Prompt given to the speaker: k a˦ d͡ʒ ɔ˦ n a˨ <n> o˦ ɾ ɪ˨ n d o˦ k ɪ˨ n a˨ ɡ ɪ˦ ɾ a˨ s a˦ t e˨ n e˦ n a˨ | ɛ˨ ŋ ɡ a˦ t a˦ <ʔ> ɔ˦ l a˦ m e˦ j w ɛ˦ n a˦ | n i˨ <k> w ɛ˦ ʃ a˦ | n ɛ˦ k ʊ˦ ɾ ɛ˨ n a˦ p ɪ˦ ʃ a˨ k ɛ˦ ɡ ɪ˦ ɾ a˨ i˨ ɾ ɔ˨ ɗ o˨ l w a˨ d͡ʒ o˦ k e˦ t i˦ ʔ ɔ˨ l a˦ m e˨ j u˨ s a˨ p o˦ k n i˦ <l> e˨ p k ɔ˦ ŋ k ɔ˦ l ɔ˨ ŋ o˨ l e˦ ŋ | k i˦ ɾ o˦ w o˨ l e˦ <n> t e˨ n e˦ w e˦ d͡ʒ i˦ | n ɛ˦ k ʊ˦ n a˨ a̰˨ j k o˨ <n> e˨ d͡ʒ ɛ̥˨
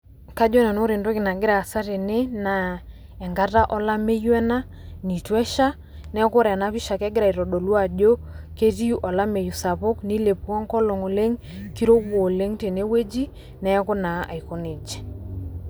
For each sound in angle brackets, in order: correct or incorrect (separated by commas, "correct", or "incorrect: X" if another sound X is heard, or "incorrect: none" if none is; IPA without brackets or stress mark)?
correct, correct, incorrect: t, correct, incorrect: ŋ, correct